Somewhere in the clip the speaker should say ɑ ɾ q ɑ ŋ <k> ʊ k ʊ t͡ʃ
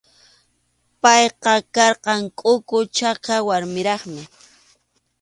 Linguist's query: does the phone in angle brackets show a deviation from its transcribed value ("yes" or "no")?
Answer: yes